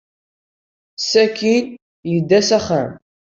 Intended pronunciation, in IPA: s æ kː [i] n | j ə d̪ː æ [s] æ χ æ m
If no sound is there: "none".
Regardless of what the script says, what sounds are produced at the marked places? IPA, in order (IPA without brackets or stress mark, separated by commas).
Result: i, s